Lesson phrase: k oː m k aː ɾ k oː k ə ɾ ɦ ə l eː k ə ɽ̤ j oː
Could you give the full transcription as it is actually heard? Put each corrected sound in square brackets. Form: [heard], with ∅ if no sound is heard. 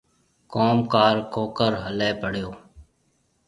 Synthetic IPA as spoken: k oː m k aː ɾ k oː k ə ɾ ɦ ə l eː [p] ə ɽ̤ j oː